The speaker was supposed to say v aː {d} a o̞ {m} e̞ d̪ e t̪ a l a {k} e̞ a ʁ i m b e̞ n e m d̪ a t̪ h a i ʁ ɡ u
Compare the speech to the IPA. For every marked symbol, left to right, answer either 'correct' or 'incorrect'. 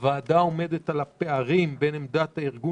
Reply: correct, correct, incorrect: p

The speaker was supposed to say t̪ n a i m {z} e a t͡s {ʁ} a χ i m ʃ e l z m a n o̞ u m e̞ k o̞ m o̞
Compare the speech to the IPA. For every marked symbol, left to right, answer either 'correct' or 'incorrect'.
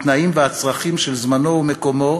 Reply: incorrect: v, correct

